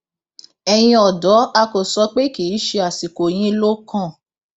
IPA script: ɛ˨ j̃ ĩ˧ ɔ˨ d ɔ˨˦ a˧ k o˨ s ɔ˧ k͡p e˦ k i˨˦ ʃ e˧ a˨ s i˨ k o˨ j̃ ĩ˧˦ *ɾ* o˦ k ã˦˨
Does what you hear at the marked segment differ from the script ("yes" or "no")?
yes